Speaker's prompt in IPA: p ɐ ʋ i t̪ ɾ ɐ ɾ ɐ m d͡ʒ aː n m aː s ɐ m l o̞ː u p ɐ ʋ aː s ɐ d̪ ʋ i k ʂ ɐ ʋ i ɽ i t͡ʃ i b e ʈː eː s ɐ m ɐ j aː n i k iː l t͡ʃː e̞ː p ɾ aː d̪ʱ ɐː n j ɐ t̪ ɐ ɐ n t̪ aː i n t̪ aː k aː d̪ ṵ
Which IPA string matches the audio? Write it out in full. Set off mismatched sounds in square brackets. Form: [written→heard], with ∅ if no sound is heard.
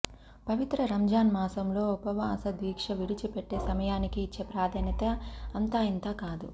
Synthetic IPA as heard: p ɐ ʋ i t̪ ɾ ɐ ɾ ɐ m d͡ʒ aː n m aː s ɐ m l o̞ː u p ɐ ʋ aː s ɐ d̪ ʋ [i→iː] k ʂ ɐ ʋ i ɽ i t͡ʃ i [b→p] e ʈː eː s ɐ m ɐ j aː n i k iː [l→∅] t͡ʃː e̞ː p ɾ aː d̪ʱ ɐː n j ɐ t̪ ɐ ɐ n t̪ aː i n t̪ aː k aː d̪ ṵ